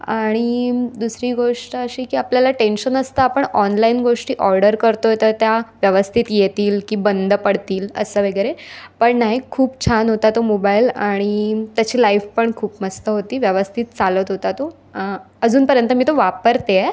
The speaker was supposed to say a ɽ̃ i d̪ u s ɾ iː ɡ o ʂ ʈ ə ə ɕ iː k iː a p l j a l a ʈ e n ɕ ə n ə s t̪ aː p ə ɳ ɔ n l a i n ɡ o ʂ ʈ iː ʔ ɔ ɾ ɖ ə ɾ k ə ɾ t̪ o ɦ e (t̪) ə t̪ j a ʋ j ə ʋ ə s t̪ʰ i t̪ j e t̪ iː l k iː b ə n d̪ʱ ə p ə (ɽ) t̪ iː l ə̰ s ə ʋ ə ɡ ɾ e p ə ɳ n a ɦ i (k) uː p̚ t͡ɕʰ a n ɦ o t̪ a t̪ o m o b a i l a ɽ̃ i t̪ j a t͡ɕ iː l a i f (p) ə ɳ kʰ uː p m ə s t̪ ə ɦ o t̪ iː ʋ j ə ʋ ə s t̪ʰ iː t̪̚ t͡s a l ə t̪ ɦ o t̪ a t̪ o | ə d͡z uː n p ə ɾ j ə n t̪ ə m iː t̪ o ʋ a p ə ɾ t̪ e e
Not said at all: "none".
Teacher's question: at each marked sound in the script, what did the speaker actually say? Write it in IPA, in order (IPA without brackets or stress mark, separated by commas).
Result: t̪, ɽ, kʰ, p